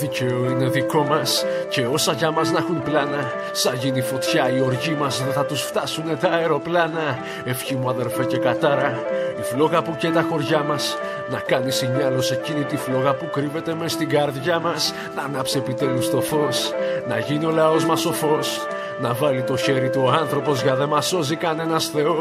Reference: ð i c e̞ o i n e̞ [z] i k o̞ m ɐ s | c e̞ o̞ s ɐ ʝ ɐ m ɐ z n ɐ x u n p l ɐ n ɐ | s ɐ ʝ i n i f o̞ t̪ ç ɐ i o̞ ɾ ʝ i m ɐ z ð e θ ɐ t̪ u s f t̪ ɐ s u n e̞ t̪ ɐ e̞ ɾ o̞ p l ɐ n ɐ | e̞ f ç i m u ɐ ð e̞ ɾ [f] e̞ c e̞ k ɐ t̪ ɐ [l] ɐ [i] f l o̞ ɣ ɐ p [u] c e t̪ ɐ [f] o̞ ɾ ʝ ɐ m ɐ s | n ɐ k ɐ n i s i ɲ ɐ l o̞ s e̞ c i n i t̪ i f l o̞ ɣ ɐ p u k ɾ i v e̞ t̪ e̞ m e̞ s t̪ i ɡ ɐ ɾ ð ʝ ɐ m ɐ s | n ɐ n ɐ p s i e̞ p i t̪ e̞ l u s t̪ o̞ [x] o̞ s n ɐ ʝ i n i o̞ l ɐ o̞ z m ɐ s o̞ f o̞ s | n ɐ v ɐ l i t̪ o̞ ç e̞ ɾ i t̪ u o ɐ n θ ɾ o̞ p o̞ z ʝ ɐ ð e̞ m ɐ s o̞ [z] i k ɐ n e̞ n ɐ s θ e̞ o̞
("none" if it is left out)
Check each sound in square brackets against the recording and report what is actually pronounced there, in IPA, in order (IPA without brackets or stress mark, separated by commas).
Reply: ð, f, ɾ, i, u, x, f, z